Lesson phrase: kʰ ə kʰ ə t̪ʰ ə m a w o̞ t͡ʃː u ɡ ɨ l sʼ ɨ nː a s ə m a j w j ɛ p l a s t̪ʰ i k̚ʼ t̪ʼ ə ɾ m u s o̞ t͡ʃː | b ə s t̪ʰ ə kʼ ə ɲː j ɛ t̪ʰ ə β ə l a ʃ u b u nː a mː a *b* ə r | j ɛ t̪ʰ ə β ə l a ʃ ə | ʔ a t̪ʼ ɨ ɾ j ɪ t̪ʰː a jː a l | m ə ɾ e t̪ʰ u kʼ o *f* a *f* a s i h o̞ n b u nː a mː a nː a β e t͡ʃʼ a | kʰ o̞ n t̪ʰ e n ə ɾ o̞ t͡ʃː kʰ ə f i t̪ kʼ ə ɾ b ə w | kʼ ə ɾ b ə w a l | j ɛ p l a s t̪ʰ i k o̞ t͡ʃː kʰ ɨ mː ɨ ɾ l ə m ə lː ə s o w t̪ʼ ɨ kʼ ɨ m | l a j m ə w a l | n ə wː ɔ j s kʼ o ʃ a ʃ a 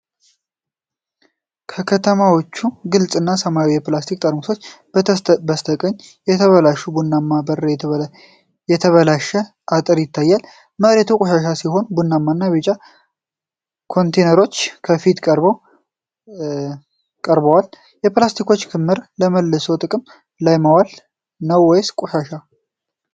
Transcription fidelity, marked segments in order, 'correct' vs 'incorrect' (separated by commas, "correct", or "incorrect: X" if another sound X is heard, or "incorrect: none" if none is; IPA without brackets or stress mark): correct, incorrect: ʃ, incorrect: ʃ